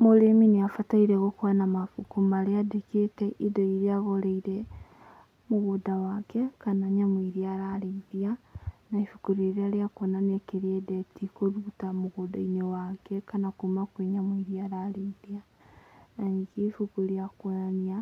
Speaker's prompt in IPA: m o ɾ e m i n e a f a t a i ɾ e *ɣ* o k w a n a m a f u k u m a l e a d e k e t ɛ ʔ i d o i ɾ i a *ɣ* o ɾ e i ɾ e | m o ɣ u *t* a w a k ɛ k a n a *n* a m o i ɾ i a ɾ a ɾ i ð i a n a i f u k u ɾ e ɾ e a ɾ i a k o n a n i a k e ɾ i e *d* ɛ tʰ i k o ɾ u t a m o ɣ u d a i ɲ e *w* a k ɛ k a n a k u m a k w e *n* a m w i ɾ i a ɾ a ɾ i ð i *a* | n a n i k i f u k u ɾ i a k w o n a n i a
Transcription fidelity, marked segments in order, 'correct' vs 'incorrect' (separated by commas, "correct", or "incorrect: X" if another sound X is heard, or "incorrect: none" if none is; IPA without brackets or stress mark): correct, correct, incorrect: d, incorrect: ɲ, correct, correct, incorrect: ɲ, correct